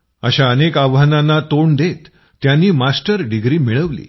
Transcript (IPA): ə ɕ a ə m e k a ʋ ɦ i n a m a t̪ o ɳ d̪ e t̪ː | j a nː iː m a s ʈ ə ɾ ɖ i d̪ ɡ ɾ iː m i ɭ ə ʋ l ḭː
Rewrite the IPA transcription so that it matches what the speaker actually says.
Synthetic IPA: ə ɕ a ə n e k a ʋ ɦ a n a n a t̪ o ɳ d̪ e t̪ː | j a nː iː m a s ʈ ə ɾ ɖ i ɡ ɾ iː m i ɭ ə ʋ l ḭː